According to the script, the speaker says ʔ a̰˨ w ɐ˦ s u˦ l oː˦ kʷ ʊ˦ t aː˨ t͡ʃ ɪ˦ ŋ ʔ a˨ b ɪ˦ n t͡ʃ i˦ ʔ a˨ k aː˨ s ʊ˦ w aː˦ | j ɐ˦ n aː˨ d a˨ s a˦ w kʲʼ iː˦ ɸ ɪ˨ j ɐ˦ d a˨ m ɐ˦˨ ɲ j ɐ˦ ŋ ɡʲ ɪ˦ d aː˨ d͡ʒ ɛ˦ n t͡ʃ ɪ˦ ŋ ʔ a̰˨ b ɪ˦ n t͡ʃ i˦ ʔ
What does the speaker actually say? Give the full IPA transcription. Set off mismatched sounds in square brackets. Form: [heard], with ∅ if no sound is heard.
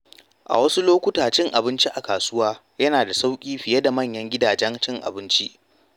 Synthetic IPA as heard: ʔ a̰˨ w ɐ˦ s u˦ l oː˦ kʷ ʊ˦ t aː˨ t͡ʃ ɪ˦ ŋ ʔ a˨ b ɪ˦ n t͡ʃ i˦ ʔ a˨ k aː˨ s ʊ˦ w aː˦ | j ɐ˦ n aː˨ d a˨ s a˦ w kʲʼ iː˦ ɸ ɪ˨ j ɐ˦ d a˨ m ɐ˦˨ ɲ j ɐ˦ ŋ ɡʲ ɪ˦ d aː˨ d͡ʒ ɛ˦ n t͡ʃ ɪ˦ ŋ ʔ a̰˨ b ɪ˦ n t͡ʃ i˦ ʔ

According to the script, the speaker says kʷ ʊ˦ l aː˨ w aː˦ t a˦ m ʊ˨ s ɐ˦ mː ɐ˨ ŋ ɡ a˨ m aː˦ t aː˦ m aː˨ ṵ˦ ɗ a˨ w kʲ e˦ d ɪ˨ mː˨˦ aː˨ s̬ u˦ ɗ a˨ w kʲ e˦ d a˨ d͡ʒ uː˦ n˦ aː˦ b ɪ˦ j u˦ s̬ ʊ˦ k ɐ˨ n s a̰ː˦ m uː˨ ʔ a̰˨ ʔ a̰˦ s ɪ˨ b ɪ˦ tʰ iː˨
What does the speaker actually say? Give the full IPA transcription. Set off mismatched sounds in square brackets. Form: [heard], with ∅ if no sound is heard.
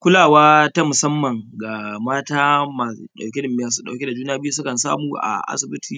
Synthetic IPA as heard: kʷ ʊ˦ l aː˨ w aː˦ t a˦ m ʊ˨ s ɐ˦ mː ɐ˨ ŋ ɡ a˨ m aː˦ t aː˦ m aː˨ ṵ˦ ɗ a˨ w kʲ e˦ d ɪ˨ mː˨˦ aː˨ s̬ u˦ ɗ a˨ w kʲ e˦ d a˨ d͡ʒ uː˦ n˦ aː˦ b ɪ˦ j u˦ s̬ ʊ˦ k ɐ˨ n s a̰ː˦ m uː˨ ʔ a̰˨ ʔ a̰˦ s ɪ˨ b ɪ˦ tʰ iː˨

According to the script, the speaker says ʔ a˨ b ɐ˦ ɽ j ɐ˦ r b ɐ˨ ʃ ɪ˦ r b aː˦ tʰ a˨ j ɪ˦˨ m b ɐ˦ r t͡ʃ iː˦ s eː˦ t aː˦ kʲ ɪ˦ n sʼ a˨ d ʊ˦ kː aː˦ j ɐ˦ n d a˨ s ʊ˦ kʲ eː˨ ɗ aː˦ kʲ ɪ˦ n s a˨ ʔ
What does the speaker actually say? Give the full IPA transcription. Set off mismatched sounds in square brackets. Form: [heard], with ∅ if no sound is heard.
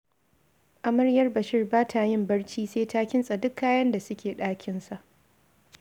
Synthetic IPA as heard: ʔ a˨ [m] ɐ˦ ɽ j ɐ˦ r b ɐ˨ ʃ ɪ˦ r b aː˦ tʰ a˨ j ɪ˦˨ m b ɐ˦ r t͡ʃ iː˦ s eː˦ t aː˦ kʲ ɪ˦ n sʼ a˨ d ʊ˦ kː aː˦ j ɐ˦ n d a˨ s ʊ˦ kʲ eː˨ ɗ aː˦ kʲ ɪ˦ n s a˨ ʔ

